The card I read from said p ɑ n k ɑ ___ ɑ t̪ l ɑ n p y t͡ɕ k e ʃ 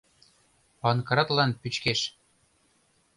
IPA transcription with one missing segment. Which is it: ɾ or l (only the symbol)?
ɾ